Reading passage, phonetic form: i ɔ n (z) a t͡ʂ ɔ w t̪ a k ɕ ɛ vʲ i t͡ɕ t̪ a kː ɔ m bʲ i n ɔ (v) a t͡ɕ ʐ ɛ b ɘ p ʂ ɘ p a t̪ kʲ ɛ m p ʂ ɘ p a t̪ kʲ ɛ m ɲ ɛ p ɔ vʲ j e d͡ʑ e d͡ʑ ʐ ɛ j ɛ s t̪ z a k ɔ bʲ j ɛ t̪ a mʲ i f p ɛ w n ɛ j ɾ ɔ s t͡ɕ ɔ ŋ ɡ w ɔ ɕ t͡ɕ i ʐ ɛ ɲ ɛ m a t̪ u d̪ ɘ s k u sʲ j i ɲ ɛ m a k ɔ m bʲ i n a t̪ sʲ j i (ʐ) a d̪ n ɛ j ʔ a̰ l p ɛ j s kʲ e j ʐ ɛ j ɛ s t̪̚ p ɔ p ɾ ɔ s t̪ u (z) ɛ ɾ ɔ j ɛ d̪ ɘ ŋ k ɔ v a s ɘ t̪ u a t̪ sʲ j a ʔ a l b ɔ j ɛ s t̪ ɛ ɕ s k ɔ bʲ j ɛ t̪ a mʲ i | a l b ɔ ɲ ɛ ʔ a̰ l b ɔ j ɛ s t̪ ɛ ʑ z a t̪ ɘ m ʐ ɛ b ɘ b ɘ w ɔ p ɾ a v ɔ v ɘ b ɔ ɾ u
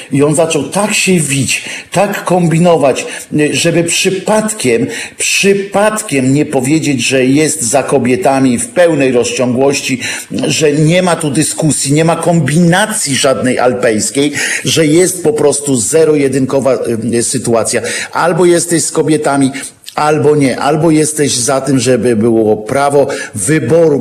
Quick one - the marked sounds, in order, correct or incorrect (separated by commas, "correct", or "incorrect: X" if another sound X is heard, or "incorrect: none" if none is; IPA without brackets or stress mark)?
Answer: correct, correct, correct, correct